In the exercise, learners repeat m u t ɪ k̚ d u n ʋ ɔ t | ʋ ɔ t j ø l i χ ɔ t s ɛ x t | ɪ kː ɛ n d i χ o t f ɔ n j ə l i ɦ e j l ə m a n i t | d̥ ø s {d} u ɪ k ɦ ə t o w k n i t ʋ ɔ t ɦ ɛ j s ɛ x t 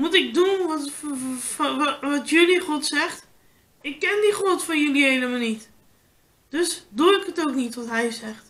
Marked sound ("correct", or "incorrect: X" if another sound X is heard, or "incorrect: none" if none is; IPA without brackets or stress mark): correct